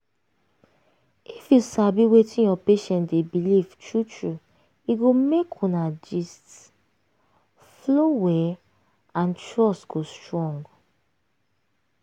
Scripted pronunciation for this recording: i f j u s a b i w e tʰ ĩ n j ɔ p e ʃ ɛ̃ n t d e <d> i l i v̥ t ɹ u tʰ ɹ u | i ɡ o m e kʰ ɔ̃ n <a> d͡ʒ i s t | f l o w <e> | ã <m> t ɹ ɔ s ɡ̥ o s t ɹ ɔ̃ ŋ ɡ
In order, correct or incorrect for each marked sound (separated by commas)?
incorrect, correct, incorrect, incorrect